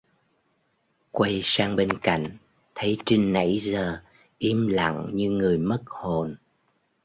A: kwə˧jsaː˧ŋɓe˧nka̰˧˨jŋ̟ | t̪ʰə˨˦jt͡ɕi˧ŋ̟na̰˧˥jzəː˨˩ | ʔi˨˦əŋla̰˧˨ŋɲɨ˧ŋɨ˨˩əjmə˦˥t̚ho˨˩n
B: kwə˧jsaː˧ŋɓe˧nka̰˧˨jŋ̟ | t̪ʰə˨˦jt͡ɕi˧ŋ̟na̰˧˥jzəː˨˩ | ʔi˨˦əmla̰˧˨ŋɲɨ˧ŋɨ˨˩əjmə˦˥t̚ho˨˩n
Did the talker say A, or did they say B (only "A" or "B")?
B